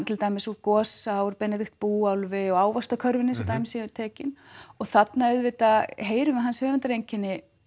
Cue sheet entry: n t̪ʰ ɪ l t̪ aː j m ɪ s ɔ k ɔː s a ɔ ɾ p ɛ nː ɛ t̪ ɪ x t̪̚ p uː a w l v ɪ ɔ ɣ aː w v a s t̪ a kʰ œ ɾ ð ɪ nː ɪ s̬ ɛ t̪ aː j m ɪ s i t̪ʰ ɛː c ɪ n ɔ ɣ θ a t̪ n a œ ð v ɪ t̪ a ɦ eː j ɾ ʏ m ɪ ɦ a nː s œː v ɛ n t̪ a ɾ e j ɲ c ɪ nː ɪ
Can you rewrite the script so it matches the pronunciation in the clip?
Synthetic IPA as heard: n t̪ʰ ɪ l t̪ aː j m ɪ s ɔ k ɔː s a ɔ ɾ p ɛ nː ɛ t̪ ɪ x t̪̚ p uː a w l v ɪ ɔ ɣ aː w v a s t̪ a kʰ œ ɾ v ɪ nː ɪ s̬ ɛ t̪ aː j m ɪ s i t̪ʰ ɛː c ɪ n ɔ ɣ θ a t̪ n a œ ð v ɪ t̪ a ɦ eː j ɾ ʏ m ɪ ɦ a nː s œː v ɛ n t̪ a ɾ e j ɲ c ɪ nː ɪ